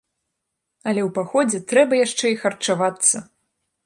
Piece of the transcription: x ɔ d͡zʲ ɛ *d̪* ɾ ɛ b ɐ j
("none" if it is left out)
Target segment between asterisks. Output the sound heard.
t̪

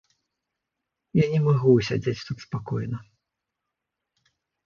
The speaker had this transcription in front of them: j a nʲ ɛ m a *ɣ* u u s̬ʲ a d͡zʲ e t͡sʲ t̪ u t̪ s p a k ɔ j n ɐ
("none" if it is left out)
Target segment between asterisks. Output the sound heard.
ɣ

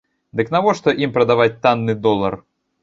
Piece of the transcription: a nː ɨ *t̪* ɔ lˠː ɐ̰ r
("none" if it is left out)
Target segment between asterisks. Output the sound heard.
d̪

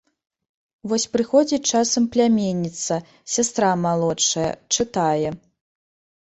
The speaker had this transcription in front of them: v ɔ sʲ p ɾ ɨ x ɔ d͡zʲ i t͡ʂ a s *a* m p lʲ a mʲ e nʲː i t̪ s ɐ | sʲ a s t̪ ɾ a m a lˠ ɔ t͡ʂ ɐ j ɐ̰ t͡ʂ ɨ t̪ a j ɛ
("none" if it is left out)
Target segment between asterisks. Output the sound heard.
ɐ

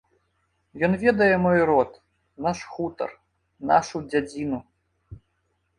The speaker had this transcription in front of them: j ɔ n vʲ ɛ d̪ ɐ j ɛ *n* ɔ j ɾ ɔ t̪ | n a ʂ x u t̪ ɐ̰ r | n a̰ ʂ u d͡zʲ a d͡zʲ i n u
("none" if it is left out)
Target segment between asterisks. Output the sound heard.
m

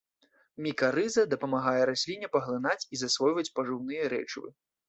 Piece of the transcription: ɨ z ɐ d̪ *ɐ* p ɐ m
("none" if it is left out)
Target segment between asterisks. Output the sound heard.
ɐ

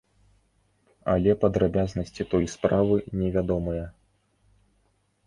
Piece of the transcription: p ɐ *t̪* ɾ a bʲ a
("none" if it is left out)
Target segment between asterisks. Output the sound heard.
d̪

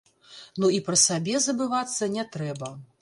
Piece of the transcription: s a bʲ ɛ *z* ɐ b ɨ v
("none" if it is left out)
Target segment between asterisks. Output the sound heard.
z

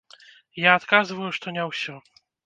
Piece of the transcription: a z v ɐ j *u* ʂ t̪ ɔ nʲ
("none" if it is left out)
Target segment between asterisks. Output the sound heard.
u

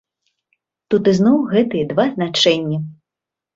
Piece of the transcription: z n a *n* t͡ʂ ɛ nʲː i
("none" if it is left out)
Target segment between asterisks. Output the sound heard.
none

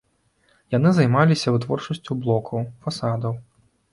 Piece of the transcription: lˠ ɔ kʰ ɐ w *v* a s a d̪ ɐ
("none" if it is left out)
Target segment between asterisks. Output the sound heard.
f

